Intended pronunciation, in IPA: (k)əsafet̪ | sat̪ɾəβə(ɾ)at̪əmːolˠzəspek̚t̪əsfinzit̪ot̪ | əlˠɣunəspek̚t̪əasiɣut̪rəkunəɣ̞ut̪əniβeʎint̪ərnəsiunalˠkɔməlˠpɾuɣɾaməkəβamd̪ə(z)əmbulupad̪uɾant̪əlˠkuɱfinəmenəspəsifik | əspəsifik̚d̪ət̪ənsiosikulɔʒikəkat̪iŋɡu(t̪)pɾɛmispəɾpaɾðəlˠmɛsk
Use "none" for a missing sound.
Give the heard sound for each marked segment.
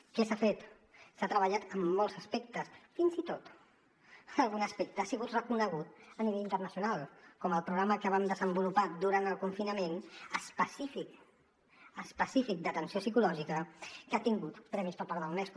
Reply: k, ʎ, z, t̪

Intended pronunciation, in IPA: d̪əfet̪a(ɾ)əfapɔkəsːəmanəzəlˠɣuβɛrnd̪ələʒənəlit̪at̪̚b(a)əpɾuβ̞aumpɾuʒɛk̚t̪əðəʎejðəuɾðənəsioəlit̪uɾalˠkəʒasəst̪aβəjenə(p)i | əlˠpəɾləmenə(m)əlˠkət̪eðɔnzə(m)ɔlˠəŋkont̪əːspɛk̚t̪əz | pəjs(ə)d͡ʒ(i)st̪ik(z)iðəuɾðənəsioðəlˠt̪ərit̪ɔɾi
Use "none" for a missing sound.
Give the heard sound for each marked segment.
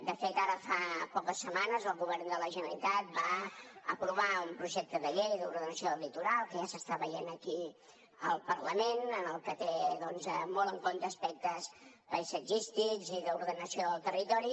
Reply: ɾ, a, k, n, m, ə, i, z

